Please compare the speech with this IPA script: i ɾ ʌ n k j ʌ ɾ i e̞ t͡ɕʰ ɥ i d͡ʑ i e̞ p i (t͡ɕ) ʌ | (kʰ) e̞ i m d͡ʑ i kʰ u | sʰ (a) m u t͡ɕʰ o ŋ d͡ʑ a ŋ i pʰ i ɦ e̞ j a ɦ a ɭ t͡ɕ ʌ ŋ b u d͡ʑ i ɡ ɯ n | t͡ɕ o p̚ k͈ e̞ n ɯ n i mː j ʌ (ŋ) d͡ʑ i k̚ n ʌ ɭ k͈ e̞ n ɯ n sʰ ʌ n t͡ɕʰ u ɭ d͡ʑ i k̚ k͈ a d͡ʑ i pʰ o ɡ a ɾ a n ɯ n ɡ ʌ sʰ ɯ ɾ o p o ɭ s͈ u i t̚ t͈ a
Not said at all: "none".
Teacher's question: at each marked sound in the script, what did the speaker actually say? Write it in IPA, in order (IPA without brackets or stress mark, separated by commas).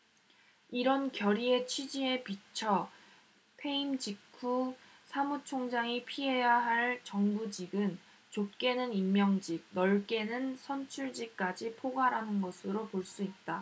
t͡ɕʰ, pʰ, a, ŋ